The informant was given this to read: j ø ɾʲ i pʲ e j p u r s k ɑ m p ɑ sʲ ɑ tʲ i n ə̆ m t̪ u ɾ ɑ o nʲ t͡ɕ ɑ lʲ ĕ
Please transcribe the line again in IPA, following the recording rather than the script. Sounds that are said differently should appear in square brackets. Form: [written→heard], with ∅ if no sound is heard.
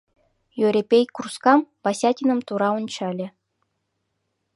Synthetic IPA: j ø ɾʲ [i→e] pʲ e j [p→k] u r s k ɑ m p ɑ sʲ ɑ tʲ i n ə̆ m t̪ u ɾ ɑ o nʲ t͡ɕ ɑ lʲ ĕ